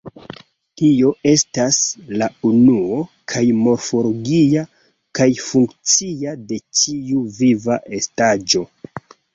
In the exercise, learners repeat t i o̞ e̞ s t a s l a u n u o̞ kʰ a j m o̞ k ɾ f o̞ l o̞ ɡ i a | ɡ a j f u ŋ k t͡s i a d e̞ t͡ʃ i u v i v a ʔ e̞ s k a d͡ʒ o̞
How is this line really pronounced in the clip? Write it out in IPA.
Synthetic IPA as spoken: t i o̞ e̞ s t a s l a u n u o̞ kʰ a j m o̞ ɾ f o̞ l o̞ ɡ i a | k a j f u ŋ k t͡s i a d e̞ t͡ʃ i u v i v a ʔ e̞ s t a d͡ʒ o̞